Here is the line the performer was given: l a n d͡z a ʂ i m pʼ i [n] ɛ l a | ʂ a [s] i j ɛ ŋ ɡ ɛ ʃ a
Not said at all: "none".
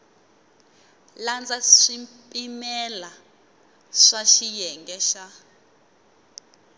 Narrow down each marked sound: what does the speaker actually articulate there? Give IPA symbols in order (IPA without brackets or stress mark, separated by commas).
m, ʃ